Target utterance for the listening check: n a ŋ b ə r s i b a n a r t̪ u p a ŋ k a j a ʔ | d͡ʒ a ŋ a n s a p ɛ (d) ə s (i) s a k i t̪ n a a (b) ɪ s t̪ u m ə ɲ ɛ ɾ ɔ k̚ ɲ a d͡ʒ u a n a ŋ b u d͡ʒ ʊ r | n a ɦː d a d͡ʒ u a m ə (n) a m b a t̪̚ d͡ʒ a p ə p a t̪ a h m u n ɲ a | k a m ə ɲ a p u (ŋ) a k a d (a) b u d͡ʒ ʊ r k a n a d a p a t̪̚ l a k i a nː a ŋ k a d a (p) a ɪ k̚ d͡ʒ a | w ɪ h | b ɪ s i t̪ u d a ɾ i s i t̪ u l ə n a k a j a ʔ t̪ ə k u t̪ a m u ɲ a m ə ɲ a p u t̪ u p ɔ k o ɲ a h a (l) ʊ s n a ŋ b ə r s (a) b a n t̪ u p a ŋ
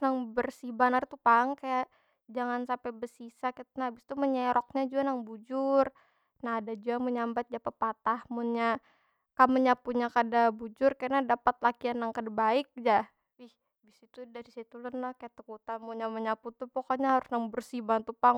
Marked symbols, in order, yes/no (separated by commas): no, yes, yes, no, no, yes, no, no, no